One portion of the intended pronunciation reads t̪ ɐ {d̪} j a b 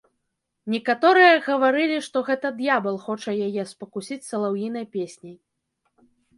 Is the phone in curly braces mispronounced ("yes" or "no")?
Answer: no